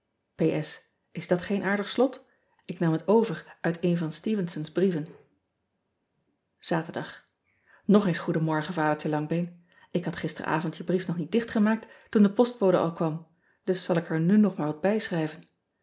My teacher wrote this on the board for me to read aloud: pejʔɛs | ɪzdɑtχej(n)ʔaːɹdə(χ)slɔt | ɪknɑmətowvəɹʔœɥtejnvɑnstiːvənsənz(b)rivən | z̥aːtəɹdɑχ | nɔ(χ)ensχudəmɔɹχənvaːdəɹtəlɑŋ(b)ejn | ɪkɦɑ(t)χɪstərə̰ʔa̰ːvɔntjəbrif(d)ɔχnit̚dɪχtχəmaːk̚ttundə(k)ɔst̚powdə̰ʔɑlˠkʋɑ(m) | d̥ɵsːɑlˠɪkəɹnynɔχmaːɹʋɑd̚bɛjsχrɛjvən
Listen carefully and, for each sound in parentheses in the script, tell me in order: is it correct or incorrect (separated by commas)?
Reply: correct, correct, correct, correct, correct, correct, incorrect, incorrect, correct